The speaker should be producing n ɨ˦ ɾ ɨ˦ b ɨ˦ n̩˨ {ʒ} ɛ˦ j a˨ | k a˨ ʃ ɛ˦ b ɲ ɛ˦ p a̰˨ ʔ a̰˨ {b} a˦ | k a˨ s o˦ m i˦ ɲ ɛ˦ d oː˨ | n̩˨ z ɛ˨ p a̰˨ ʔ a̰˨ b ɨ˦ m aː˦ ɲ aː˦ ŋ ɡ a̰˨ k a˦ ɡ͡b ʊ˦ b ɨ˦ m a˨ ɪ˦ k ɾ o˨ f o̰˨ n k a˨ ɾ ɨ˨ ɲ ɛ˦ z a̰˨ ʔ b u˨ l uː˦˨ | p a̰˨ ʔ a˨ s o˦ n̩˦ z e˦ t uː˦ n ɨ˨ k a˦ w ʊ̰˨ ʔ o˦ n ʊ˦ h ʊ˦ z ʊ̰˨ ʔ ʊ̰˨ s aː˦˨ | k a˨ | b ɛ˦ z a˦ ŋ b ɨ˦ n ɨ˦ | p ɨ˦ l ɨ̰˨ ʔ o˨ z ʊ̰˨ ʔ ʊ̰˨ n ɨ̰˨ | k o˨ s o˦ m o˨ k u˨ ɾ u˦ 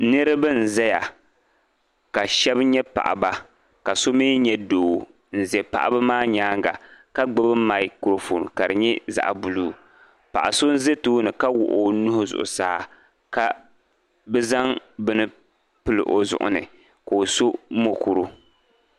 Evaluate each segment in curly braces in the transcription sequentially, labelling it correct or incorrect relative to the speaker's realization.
incorrect: z, correct

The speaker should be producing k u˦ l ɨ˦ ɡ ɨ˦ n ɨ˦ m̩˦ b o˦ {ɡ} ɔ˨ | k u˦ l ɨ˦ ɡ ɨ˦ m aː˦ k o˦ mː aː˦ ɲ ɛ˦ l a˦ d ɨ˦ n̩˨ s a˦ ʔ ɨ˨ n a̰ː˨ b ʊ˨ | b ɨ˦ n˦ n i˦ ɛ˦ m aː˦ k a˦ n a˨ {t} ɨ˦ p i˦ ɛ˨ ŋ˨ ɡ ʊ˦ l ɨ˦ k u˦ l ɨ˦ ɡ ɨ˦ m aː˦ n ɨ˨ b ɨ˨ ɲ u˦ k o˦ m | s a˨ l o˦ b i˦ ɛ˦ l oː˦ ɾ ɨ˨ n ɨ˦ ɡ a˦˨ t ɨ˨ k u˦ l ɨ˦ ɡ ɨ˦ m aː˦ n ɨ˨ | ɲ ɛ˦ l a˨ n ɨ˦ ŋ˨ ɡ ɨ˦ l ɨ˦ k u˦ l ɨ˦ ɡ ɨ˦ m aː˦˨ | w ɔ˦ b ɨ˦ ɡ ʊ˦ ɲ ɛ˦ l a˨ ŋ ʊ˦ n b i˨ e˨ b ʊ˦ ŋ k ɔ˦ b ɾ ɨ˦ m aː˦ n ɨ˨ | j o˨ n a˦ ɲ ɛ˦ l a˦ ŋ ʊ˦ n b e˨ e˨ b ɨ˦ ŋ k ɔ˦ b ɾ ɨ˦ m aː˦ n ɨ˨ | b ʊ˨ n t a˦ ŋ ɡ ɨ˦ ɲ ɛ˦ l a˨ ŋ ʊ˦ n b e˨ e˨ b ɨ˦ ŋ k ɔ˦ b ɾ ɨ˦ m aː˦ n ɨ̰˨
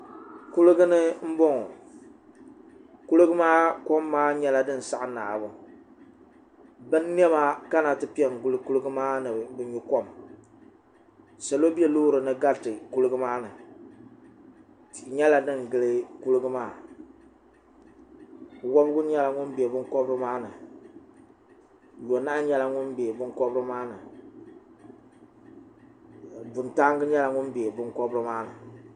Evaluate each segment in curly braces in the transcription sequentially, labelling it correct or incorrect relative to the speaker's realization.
incorrect: ŋ, correct

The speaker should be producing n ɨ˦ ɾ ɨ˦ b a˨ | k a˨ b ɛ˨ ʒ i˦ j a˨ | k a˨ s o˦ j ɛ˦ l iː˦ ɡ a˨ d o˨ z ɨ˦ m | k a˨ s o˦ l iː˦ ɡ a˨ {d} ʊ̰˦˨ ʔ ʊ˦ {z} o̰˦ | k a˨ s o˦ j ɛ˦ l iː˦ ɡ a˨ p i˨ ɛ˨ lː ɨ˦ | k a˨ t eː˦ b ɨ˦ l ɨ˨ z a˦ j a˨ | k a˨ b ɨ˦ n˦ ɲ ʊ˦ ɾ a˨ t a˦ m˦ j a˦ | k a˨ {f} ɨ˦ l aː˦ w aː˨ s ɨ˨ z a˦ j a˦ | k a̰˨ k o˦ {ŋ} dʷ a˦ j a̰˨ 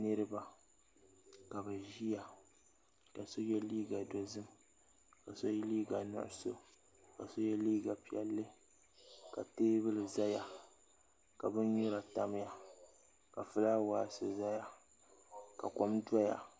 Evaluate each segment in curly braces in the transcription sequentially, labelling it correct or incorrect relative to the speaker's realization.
incorrect: n, incorrect: s, correct, incorrect: m

